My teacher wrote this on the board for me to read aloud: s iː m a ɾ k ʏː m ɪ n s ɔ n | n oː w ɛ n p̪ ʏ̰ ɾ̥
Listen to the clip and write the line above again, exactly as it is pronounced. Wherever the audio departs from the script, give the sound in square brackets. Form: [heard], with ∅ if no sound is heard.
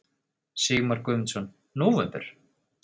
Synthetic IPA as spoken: s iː m a ɾ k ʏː m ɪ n s ɔ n | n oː [v] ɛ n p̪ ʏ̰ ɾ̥